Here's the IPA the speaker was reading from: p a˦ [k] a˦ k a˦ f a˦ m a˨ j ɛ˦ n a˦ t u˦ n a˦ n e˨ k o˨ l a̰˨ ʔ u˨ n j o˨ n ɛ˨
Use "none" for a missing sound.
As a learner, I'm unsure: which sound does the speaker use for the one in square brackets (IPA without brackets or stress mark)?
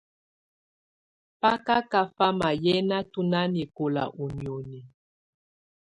k